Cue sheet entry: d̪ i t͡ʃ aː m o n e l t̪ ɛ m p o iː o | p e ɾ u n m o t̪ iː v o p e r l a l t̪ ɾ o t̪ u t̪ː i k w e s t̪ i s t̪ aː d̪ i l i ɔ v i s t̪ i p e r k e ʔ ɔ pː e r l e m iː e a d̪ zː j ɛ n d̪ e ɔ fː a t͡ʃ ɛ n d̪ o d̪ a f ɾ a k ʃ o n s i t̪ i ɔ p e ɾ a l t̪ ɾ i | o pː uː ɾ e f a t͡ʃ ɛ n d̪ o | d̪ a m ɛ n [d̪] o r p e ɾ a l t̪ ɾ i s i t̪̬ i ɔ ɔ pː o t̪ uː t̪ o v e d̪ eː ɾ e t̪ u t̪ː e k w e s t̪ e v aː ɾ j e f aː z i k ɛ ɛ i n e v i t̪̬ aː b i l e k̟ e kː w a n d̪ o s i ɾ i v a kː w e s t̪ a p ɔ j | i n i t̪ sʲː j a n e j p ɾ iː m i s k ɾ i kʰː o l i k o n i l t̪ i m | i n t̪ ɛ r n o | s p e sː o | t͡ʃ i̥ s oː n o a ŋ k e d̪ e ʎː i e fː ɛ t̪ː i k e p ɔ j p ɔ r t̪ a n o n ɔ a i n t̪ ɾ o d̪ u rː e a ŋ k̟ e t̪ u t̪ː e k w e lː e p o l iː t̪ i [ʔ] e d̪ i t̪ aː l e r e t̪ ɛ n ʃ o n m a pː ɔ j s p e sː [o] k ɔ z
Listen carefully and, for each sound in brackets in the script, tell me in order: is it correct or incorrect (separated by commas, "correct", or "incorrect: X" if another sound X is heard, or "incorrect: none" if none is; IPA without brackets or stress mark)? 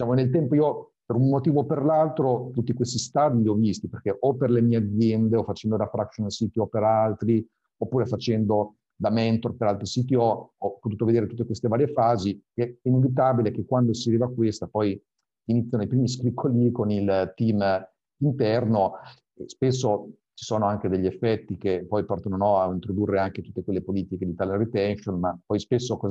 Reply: incorrect: t̪, incorrect: k, correct